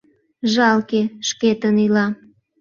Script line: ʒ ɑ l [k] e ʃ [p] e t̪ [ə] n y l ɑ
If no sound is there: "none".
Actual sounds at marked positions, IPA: k, k, ə

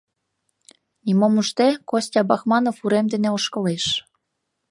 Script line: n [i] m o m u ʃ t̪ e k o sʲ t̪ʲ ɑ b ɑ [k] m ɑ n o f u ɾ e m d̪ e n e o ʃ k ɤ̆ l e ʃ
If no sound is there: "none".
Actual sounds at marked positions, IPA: i, x

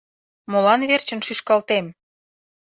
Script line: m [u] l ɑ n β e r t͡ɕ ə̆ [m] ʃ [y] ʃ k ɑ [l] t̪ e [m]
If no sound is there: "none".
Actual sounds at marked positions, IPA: o, n, y, l, m

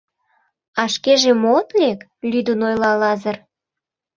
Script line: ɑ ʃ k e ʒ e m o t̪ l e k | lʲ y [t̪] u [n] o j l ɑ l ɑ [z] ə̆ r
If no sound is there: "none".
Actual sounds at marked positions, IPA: d̪, n, z

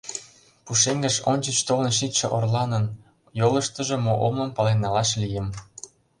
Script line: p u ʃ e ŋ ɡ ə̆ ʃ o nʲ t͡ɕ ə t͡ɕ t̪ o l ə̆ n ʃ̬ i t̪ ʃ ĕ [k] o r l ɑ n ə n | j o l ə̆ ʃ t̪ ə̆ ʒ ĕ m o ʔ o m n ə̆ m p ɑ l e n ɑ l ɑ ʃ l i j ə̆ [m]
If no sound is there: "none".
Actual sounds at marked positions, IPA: ʔ, m

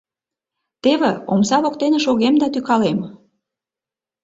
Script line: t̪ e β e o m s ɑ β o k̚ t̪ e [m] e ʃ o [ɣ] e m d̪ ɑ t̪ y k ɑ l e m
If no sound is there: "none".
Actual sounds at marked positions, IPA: n, ɣ

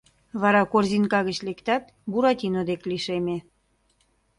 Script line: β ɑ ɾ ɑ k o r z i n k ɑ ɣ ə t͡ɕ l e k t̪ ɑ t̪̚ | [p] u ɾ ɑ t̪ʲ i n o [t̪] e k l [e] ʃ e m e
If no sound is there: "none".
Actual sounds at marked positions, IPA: b, d̪, i

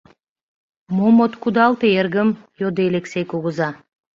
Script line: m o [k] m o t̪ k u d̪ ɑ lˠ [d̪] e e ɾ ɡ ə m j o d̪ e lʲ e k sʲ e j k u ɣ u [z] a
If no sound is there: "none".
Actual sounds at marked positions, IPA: none, t̪, z

